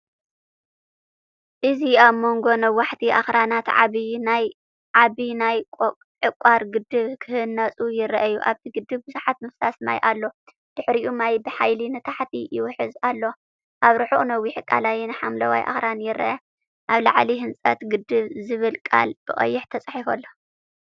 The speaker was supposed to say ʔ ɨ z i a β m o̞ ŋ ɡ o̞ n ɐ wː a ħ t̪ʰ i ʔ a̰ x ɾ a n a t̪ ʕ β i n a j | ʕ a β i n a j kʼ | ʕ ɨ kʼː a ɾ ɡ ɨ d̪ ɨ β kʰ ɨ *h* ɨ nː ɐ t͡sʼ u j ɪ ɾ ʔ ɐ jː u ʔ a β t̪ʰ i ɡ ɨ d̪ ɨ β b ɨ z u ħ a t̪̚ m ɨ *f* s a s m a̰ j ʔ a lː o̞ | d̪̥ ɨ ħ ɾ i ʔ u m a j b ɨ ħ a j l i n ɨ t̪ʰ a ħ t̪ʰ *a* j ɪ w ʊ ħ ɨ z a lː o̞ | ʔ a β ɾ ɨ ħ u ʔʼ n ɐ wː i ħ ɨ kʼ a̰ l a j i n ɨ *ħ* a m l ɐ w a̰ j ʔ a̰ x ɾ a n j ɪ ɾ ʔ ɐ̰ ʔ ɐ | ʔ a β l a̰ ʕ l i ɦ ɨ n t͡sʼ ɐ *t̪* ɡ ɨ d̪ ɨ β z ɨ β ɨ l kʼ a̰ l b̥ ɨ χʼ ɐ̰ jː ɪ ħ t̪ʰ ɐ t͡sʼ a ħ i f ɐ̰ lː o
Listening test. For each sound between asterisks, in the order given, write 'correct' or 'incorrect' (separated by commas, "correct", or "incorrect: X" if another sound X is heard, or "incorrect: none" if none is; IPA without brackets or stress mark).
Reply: correct, correct, incorrect: i, correct, correct